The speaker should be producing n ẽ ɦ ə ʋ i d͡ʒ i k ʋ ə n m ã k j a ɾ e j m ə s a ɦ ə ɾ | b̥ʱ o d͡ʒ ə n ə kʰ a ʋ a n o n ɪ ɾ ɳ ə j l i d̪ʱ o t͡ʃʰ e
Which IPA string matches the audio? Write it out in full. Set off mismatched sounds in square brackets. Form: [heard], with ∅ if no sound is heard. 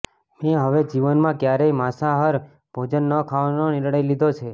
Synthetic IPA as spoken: [m] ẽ ɦ ə ʋ [e] d͡ʒ i [∅] ʋ ə n m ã k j a ɾ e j m [a] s a ɦ ə ɾ | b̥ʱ o d͡ʒ ə [nː] ə kʰ a ʋ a n o n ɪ ɾ ɳ ə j l i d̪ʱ o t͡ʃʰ e